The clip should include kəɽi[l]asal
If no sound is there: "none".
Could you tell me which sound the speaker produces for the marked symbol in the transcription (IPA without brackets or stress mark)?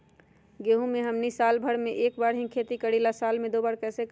l